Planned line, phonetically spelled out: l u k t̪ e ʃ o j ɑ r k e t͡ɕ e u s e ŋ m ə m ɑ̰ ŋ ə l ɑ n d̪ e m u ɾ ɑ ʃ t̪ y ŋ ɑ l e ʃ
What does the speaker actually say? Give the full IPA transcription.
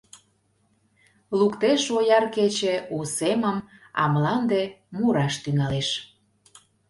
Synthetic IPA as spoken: l u k t̪ e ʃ o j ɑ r k e t͡ɕ e u s e m ə m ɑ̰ m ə l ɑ n d̪ e m u ɾ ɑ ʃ t̪ y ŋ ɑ l e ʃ